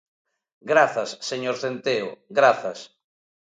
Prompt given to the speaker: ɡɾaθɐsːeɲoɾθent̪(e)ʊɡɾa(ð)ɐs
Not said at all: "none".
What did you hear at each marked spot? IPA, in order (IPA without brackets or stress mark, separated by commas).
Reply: e, θ